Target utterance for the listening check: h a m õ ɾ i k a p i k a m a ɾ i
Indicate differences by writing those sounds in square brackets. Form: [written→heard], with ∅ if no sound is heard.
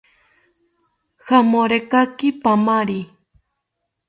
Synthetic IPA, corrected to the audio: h a m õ ɾ [i→e] k a [p→k] i [k→p] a m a ɾ i